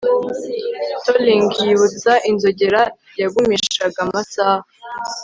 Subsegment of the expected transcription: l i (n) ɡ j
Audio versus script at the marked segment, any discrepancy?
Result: yes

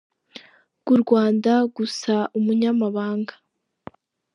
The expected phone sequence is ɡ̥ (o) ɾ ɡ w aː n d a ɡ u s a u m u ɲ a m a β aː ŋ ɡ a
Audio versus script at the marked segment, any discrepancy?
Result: yes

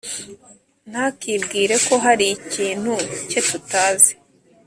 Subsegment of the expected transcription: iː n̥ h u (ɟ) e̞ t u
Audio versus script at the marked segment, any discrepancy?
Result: yes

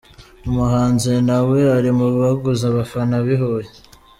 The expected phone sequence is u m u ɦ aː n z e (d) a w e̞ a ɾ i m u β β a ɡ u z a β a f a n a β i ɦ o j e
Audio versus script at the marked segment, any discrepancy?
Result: yes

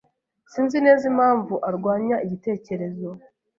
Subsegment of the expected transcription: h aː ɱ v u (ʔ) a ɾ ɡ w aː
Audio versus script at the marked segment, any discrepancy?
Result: no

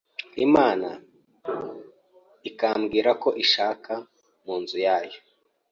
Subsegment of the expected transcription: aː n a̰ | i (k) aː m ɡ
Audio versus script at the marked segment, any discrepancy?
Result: no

